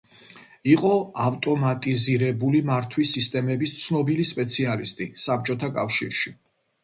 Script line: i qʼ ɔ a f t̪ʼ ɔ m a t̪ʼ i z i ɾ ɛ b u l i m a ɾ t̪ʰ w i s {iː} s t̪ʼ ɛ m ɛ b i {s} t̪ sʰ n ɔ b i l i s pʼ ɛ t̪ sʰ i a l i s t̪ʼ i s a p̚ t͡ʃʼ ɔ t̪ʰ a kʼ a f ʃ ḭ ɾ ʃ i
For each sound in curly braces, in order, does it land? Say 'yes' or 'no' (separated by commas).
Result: no, yes